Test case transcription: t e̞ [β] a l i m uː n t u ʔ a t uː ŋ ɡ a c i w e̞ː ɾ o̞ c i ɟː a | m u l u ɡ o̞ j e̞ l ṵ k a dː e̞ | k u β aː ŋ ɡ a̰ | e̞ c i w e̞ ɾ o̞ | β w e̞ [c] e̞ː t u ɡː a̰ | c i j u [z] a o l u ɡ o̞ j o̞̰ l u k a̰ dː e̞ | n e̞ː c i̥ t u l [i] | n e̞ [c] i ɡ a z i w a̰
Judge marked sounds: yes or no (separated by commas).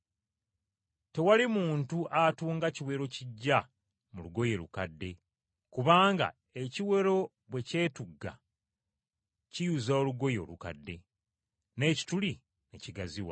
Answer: no, yes, yes, yes, yes